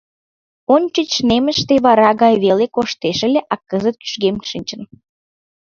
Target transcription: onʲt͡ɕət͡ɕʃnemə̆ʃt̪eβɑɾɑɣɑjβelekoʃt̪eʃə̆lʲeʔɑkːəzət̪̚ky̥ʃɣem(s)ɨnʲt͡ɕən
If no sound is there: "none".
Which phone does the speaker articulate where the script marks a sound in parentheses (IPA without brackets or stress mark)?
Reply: ʃ